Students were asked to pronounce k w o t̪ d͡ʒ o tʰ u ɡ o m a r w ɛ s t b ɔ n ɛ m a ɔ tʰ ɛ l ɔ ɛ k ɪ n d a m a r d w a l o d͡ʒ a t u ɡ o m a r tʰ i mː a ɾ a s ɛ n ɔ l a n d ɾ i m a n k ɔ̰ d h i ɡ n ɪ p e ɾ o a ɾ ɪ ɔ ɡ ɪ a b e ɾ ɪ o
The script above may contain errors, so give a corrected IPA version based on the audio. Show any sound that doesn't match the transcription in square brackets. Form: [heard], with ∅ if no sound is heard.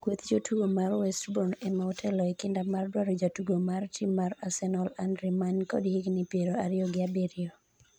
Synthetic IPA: k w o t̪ d͡ʒ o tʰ u ɡ o m a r w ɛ s t b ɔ n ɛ m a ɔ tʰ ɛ l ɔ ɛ k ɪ n d a m a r d w a [ɾ] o d͡ʒ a t u ɡ o m a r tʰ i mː a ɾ a s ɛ n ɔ l a n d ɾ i m a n k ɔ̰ d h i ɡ n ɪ p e ɾ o a ɾ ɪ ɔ ɡ ɪ a b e ɾ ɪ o